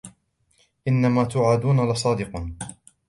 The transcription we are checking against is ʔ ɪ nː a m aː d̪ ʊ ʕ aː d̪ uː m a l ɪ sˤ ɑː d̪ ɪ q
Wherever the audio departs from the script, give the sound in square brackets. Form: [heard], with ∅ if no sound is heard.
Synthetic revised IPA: ʔ ɪ nː a m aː [t̪] ʊ ʕ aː d̪ uː [n] a l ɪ sˤ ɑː d̪ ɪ q